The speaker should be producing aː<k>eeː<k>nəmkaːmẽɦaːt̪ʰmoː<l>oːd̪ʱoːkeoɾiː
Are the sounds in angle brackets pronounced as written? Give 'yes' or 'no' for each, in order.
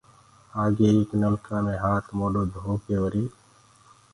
no, yes, yes

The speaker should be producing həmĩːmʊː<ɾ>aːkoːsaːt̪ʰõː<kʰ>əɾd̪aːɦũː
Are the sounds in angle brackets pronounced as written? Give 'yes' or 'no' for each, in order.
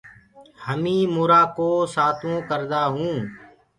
yes, no

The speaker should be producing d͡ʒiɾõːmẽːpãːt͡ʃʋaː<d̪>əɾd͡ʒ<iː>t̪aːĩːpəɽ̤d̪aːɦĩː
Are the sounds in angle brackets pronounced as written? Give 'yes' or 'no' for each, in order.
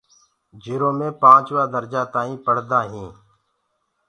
yes, no

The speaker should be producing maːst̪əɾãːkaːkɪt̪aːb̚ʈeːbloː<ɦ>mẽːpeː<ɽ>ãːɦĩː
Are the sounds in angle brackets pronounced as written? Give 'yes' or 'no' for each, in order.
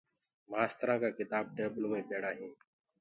no, yes

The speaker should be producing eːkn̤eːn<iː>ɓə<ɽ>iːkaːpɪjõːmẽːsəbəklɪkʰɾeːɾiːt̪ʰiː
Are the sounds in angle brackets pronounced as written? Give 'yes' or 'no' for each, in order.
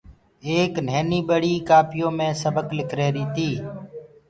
yes, yes

